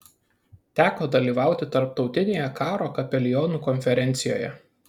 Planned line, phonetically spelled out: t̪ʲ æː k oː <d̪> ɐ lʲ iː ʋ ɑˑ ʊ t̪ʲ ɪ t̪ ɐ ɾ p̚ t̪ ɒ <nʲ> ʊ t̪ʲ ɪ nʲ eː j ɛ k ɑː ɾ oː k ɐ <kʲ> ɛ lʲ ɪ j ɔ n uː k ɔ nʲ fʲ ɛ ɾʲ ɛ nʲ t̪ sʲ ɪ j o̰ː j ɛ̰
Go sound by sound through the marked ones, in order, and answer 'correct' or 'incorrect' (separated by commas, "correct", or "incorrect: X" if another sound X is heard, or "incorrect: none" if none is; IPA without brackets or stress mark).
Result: correct, incorrect: none, incorrect: pʲ